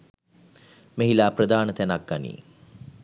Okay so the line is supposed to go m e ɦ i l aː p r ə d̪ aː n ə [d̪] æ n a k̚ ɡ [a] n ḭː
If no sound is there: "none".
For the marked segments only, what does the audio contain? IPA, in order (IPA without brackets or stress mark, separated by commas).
t̪, a